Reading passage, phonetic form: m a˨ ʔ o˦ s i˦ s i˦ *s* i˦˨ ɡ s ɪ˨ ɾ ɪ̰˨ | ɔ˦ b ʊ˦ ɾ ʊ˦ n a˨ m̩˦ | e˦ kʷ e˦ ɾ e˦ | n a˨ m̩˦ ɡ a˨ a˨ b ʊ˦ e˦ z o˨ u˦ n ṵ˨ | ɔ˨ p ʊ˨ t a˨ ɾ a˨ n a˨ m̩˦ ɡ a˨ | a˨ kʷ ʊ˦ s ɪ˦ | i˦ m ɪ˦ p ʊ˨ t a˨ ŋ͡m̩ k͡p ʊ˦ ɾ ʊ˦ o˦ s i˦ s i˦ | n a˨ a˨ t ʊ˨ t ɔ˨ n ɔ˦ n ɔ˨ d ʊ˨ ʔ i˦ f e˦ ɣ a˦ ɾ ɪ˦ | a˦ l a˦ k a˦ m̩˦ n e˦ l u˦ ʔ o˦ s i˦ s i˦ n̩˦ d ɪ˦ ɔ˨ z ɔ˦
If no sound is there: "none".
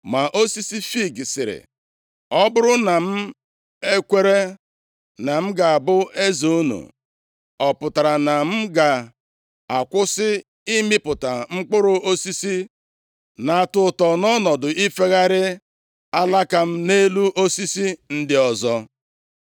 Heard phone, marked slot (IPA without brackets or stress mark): f